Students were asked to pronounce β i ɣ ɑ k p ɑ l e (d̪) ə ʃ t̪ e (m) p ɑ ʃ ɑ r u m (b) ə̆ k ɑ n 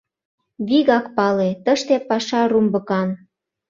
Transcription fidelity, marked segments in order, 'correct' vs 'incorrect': incorrect: t̪, incorrect: none, correct

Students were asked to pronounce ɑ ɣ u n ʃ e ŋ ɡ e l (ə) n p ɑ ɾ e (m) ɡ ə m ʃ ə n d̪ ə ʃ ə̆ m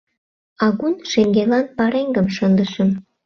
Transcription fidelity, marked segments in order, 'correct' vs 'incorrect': incorrect: ɑ, incorrect: ŋ

